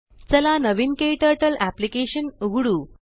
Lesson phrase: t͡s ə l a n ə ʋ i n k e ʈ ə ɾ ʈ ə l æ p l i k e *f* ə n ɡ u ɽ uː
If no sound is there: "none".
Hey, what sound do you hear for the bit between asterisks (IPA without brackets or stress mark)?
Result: ɕ